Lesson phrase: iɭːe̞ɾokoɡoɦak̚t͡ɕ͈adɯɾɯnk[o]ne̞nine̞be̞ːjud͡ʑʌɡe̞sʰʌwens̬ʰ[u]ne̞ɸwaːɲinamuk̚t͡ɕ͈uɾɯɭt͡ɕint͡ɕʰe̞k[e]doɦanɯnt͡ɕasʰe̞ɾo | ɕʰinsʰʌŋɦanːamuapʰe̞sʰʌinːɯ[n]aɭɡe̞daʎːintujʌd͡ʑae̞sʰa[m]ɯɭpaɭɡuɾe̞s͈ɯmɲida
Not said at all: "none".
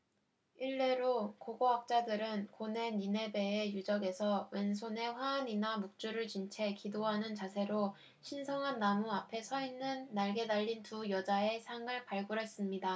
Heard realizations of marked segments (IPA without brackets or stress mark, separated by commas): o, o, i, nː, ŋ